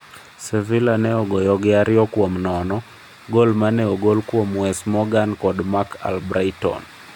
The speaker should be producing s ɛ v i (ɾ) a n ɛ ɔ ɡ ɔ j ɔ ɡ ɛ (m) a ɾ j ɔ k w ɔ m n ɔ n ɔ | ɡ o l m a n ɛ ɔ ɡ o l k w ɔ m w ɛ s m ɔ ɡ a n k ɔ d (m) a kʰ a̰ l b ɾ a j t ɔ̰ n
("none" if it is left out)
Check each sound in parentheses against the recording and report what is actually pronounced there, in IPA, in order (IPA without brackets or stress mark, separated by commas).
l, none, m